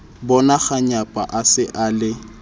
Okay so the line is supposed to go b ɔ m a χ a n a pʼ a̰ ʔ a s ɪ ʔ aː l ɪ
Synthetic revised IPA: b ɔ n a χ a ɲ a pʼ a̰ ʔ a s ɪ ʔ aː l ɪ